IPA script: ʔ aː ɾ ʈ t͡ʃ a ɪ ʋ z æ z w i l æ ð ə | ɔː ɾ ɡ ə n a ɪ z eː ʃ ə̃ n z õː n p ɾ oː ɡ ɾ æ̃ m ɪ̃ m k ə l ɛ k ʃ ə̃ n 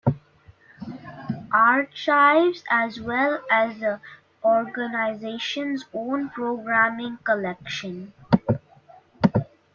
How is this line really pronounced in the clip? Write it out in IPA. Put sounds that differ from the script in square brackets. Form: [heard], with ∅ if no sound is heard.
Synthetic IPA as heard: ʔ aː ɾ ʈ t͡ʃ a ɪ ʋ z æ z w [ɛ] l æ [z] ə | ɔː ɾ ɡ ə n a ɪ z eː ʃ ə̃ n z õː n p ɾ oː ɡ ɾ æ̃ m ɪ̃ [ŋ] k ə l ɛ k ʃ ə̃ n